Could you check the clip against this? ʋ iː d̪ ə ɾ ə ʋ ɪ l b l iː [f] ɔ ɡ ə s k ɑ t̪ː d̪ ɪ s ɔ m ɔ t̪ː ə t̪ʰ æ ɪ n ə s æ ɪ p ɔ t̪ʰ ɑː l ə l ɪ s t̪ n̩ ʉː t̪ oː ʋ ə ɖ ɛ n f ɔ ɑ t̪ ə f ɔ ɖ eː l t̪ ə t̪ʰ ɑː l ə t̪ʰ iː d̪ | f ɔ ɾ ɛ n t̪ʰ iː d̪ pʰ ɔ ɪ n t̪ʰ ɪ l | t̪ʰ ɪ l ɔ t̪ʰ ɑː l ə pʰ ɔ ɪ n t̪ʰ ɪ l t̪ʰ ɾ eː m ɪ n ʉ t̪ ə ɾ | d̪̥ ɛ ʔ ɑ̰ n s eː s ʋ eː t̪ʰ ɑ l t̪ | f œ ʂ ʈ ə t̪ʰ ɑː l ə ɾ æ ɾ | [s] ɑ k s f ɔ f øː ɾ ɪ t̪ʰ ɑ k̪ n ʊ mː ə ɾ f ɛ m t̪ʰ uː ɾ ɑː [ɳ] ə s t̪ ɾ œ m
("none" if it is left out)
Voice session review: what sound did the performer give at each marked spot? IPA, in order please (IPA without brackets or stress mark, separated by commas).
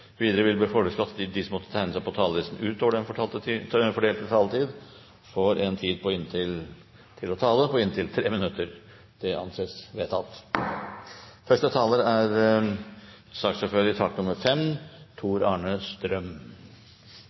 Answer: f, s, ɳ